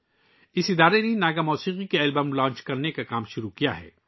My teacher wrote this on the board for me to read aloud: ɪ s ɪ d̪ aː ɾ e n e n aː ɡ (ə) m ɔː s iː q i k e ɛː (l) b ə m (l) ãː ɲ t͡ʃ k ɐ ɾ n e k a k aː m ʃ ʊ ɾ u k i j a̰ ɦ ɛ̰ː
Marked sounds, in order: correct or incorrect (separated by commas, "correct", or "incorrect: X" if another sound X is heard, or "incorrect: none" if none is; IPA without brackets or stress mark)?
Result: incorrect: a, correct, correct